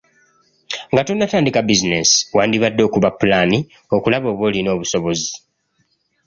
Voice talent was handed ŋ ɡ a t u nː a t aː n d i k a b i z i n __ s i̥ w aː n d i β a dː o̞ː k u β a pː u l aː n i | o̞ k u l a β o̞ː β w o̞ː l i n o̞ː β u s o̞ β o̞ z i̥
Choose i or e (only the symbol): e